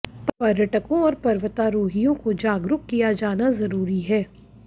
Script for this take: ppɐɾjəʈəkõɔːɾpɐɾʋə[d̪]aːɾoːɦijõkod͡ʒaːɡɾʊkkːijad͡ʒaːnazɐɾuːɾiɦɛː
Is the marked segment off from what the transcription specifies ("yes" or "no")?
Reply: yes